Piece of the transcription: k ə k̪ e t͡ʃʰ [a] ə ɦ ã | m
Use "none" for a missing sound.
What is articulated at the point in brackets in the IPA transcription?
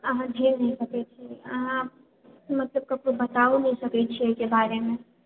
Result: i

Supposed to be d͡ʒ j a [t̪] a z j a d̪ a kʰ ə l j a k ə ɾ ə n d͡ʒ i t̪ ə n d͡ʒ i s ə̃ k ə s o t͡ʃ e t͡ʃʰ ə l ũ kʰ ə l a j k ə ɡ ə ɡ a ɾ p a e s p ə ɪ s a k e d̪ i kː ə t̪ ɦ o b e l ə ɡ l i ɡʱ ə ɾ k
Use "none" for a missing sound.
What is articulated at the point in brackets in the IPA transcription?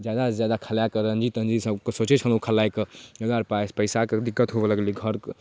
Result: d̪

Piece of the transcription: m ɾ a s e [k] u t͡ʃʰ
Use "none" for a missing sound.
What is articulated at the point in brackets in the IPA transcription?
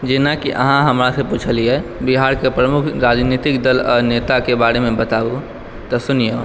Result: p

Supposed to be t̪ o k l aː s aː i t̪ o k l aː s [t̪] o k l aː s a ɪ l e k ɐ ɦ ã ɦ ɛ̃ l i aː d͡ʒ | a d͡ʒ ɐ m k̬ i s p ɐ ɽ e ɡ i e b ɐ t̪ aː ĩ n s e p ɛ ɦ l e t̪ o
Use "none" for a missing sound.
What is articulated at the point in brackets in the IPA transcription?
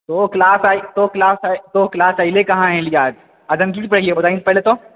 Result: t̪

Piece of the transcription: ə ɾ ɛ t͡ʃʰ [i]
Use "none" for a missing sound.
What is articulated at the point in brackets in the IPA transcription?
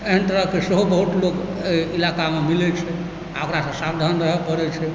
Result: ɛ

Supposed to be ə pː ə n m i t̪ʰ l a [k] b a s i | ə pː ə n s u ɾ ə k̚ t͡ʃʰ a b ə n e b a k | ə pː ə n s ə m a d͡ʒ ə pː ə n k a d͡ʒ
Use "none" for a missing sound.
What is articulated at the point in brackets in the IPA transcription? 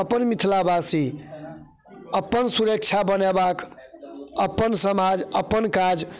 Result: none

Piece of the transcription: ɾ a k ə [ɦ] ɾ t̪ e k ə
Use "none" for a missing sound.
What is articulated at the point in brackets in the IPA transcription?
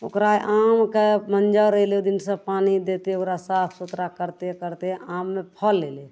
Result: none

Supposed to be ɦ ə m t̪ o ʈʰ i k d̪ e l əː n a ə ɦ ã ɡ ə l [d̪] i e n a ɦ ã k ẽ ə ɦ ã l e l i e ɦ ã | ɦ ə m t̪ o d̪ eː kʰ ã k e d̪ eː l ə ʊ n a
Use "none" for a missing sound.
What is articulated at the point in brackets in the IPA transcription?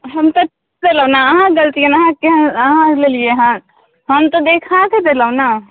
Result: t̪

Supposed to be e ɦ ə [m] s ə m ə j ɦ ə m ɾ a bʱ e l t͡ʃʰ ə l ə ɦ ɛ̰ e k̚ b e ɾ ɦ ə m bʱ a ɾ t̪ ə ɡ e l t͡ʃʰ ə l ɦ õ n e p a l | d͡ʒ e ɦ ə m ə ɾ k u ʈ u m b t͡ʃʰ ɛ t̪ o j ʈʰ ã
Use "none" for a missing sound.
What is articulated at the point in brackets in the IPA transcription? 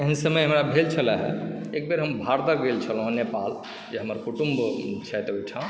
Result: n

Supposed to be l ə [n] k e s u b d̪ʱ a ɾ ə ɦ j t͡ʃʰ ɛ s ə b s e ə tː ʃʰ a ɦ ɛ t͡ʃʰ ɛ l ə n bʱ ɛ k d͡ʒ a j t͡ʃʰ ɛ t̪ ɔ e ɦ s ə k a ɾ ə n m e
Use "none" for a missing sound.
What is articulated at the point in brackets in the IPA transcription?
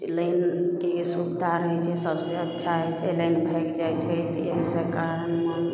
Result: n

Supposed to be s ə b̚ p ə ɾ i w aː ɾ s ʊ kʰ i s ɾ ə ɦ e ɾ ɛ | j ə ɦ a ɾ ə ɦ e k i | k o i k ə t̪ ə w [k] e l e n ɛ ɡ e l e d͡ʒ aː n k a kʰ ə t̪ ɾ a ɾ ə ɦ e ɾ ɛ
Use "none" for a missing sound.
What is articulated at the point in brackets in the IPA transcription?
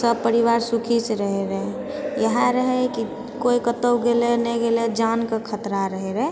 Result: ɡ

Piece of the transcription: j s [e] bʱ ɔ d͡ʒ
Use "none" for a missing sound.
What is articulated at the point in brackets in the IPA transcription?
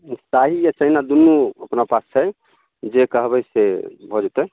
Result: e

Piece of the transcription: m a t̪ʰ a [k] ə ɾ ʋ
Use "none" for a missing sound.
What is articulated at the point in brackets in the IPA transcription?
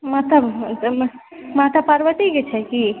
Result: p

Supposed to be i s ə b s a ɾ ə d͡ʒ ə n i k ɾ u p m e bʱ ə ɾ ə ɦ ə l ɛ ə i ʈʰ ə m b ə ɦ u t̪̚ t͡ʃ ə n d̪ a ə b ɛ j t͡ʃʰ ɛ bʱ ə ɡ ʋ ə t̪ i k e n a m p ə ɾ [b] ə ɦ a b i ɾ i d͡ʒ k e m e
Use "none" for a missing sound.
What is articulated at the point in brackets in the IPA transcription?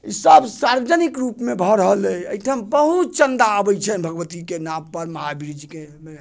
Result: m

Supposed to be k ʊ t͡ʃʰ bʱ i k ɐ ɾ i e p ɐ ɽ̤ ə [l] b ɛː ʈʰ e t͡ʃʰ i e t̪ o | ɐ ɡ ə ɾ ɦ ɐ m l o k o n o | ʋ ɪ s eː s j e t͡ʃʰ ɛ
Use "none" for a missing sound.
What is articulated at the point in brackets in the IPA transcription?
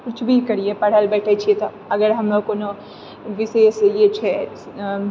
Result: l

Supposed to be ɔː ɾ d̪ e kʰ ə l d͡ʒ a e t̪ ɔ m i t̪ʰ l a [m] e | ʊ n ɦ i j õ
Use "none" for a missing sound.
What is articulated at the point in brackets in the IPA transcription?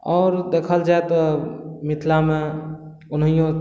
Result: m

